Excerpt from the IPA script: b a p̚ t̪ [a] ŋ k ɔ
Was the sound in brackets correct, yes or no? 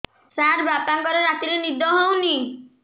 yes